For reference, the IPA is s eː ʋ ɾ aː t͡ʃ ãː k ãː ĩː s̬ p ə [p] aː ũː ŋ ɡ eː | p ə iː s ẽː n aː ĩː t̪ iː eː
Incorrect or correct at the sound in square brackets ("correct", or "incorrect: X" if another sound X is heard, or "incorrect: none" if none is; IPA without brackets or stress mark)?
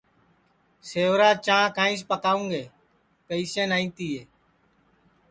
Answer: incorrect: k